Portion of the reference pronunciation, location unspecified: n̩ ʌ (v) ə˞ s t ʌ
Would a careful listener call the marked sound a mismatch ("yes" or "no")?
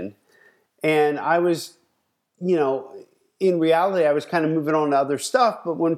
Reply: yes